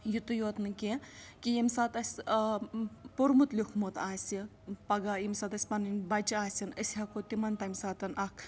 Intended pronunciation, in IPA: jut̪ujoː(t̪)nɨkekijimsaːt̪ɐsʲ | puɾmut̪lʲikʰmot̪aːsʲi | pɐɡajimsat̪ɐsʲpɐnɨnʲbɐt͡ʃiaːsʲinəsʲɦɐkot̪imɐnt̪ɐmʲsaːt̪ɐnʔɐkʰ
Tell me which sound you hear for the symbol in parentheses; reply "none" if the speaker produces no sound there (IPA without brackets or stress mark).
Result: t̪